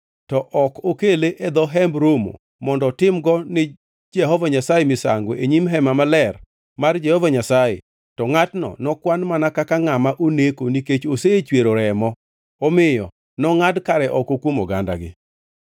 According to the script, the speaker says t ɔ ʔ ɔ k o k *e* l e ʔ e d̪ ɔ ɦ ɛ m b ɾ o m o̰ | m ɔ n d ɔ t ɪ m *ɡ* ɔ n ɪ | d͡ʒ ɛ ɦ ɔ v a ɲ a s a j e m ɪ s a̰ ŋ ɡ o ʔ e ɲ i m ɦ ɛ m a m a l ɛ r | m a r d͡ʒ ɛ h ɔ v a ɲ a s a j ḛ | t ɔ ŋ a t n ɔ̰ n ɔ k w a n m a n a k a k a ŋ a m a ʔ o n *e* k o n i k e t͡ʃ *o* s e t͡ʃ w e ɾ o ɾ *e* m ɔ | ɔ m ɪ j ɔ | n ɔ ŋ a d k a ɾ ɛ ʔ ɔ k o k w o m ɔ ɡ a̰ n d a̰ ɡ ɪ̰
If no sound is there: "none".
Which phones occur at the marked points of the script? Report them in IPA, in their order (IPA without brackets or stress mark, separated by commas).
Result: e, ɡ, e, o, ɛ